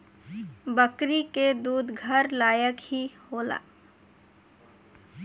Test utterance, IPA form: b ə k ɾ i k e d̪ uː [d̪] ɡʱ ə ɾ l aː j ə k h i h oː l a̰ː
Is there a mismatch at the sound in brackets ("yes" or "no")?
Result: no